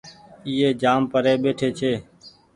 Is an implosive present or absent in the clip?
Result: present